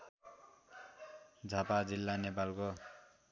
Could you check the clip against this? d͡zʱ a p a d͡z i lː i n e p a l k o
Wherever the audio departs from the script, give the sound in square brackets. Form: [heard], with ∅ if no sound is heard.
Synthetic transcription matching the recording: d͡zʱ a p a d͡z i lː [a] n e p a l k o